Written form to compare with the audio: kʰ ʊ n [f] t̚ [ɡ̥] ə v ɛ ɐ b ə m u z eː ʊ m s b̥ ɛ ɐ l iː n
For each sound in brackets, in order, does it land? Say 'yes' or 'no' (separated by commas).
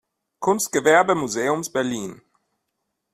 no, yes